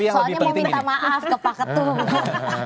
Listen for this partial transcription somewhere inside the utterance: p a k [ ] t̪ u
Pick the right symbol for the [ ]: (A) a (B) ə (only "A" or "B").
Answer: B